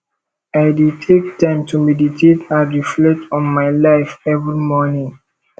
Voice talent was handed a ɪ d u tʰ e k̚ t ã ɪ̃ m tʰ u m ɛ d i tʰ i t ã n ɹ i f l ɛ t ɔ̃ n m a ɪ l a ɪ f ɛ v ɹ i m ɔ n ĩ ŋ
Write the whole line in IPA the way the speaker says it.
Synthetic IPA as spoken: a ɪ d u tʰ e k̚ t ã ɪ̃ m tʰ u m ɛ d i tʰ e t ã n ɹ i f l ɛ t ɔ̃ n m a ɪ l a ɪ f ɛ v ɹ i m ɔ n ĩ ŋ